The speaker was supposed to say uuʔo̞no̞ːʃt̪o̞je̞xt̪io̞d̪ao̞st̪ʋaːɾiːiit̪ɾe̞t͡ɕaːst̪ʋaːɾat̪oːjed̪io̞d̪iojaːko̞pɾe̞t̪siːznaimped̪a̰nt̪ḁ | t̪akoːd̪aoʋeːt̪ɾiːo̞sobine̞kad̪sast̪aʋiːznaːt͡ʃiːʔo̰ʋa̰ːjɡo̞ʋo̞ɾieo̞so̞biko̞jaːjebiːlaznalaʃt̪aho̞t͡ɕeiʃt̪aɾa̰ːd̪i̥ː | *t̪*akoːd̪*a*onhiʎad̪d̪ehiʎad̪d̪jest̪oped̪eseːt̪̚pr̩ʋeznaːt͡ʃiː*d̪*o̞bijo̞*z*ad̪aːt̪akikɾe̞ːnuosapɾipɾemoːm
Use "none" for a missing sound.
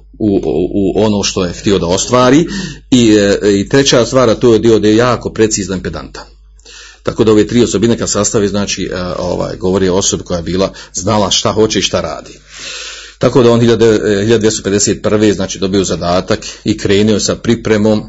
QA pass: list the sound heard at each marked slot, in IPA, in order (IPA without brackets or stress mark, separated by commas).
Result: t̪, a, d̪, z